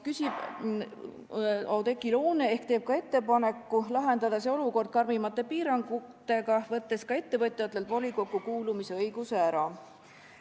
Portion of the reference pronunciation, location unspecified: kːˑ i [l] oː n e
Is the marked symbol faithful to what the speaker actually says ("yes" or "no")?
yes